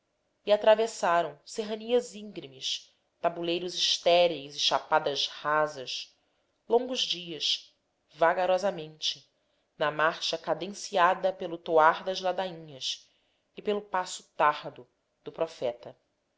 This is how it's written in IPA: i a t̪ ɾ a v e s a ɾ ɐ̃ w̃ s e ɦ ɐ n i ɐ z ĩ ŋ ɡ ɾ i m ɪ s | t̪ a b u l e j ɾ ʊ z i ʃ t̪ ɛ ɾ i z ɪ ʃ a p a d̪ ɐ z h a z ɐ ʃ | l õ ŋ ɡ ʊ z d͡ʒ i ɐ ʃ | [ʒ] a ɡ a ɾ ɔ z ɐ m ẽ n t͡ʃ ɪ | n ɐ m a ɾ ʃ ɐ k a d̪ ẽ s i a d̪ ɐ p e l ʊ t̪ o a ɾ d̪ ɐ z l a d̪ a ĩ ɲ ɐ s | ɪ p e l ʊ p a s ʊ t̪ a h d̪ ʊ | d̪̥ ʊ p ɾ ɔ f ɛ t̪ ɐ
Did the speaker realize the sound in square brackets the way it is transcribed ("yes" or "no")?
no